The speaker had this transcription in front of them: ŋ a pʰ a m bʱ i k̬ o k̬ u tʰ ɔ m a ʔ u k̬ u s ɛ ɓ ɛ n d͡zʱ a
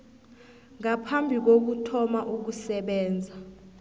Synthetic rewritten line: ŋ a pʰ a m bʱ i k̬ o k̬ u tʰ ɔ m a ʔ u k̬ u s ɛ ɓ ɛː n d͡zʱ a